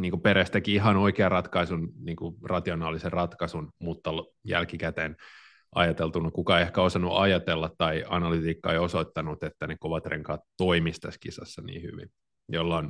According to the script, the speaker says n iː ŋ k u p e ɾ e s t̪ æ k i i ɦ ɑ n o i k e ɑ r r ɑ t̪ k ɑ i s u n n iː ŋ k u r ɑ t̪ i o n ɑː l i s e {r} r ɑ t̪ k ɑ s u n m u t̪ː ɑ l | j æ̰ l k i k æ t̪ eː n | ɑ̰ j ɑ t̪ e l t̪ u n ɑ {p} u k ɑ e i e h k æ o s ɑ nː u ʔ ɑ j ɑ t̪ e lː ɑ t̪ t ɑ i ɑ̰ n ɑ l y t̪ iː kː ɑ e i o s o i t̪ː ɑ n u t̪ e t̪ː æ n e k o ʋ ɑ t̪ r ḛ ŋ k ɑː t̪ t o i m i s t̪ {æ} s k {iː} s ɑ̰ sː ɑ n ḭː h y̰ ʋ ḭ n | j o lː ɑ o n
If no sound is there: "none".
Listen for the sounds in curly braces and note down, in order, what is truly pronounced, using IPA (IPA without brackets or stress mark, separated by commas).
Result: r, k, æ, i